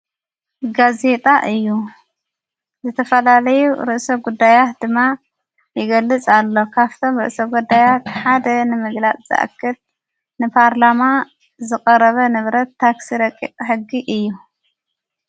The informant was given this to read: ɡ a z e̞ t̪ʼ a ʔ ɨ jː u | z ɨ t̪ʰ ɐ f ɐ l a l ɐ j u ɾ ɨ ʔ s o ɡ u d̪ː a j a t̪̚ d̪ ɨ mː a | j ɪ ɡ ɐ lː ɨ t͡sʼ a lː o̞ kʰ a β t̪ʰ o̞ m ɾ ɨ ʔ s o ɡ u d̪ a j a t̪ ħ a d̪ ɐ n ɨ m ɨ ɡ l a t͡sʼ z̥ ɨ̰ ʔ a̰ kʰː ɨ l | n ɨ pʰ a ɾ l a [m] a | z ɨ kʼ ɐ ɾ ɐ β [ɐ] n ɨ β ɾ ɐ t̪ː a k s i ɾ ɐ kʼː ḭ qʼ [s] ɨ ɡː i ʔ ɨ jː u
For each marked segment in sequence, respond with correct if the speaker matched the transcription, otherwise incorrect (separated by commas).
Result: correct, correct, incorrect